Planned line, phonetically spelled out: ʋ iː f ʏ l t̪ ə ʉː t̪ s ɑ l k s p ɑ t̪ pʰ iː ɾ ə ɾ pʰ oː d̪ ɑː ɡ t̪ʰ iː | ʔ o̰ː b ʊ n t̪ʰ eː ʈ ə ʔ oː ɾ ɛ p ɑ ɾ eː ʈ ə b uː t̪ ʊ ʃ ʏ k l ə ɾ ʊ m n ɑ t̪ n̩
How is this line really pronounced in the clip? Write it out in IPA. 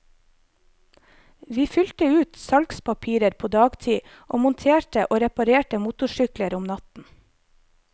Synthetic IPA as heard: ʋ iː f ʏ l t̪ ə ʉː t̪ s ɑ l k s p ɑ pʰ iː ɾ ə ɾ pʰ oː d̪ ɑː ɡ t̪ʰ iː | ʔ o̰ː m ʊ n t̪ʰ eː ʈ ə ʔ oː ɾ ɛ p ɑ ɾ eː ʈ ə m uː t̪ ʊ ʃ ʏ k l ə ɾ ʊ m n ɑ t̪ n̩